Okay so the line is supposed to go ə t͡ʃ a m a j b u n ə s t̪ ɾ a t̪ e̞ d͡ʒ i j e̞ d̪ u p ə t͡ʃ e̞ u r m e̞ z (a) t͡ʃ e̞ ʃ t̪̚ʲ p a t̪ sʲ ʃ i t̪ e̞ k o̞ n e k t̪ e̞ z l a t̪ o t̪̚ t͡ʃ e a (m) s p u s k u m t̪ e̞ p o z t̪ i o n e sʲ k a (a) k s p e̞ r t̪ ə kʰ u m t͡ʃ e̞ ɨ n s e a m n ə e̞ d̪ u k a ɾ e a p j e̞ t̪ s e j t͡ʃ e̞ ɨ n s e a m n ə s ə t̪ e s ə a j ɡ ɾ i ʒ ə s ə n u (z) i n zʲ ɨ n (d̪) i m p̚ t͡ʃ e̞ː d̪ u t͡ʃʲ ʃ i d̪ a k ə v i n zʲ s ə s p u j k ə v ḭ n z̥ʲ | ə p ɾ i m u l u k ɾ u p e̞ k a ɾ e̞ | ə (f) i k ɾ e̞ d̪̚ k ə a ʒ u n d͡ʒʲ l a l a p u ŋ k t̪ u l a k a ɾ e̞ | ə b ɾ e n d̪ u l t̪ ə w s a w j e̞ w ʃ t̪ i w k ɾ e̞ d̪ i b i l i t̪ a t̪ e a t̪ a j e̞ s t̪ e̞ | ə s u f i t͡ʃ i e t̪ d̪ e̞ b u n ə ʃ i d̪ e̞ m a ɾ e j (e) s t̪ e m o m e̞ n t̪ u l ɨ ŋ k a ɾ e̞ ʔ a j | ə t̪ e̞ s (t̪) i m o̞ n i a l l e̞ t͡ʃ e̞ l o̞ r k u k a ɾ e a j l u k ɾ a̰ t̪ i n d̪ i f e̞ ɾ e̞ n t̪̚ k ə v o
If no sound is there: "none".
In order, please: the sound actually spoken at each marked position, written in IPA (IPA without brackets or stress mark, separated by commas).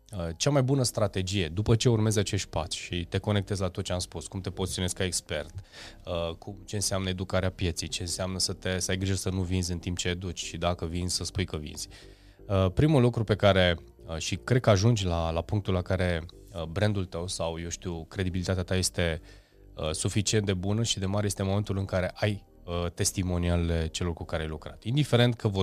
a, m, e, v, t̪, ʃ, e, t̪